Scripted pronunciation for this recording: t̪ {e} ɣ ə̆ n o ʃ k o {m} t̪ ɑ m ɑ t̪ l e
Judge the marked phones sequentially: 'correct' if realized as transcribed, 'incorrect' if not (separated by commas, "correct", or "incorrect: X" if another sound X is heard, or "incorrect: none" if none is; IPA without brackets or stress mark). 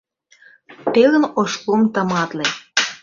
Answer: correct, correct